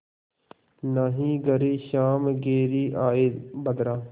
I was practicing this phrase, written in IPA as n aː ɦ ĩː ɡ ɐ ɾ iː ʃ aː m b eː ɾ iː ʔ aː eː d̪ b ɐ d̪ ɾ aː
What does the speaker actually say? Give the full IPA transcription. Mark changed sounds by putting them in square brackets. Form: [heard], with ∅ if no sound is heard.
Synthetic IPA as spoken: n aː ɦ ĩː ɡ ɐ ɾ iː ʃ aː m [ɡ] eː ɾ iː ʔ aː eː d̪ b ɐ d̪ ɾ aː